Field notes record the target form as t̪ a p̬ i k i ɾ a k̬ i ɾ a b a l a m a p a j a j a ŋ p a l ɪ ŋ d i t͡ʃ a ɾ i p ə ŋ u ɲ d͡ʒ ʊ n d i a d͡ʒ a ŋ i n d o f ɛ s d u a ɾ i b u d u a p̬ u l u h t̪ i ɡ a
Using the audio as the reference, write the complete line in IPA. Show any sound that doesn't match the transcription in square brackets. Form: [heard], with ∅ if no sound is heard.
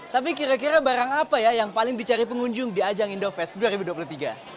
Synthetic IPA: t̪ a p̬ i k i ɾ a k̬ i ɾ a b a [ɾ] a [ŋ] a p a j a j a ŋ p a l ɪ ŋ d i t͡ʃ a ɾ i p ə ŋ u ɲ d͡ʒ ʊ [ŋ] d i a d͡ʒ a ŋ i n d o f ɛ s d u a ɾ i b u d u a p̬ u l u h t̪ i ɡ a